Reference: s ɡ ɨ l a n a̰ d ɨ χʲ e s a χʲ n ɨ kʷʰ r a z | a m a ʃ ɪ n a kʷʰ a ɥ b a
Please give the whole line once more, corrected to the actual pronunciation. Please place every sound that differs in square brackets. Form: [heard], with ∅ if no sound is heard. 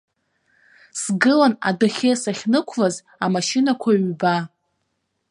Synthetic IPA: s ɡ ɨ l a n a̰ d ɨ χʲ e s a χʲ n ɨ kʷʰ [l] a z | a m a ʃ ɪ n a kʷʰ a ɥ b a